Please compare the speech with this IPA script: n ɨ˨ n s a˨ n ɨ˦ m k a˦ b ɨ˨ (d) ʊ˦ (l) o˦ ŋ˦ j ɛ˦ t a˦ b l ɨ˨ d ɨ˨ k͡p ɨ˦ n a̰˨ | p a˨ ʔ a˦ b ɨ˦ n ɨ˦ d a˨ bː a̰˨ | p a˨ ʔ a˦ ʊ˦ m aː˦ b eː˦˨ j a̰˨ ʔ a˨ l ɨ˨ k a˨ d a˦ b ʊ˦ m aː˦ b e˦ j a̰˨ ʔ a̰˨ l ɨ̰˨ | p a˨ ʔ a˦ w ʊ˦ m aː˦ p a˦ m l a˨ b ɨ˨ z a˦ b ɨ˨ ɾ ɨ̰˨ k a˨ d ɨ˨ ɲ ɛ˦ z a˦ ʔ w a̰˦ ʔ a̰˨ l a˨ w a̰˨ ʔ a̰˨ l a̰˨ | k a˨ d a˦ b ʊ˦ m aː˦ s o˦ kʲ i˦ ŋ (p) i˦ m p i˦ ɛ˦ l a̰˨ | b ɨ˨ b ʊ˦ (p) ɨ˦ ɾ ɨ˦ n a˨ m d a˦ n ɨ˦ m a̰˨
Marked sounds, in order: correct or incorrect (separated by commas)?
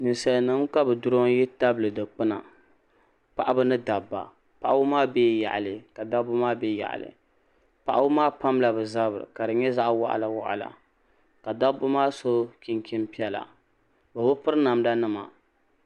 correct, incorrect, incorrect, correct